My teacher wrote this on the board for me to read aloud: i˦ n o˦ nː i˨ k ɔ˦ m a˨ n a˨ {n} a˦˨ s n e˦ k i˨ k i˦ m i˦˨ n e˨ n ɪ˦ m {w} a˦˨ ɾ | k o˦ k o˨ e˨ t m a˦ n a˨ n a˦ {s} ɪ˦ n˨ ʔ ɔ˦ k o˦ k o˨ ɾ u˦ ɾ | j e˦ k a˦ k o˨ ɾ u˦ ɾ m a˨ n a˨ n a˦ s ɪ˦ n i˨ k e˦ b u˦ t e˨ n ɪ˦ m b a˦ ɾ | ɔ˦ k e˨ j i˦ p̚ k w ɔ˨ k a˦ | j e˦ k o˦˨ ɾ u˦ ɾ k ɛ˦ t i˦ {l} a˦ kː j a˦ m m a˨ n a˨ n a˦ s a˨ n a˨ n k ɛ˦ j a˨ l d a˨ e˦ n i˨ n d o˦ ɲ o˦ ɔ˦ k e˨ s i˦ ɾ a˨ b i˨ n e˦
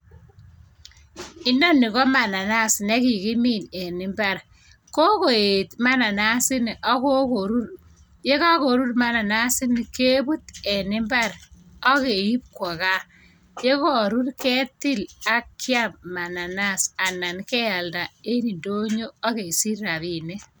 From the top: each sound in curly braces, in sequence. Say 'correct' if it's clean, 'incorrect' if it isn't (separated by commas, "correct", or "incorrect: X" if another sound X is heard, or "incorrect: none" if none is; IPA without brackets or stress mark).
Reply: correct, incorrect: b, correct, correct